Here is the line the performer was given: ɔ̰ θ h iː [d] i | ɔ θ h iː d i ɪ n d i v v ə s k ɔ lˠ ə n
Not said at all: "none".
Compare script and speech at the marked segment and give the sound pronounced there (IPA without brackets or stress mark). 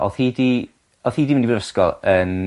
d